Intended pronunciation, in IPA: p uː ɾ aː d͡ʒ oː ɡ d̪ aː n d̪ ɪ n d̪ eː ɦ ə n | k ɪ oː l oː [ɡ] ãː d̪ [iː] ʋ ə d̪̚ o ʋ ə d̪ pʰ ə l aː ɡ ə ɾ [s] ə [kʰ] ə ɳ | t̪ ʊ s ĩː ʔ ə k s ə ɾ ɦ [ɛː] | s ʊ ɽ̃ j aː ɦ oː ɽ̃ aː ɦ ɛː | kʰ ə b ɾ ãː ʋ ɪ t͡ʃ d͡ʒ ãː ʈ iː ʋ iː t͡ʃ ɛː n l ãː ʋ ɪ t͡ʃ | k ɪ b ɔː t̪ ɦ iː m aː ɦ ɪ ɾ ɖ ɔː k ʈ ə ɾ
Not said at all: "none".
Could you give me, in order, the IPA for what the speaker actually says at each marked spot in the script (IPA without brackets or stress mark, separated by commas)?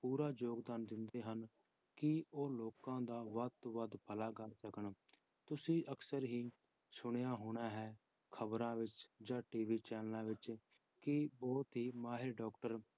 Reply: k, aː, s, k, iː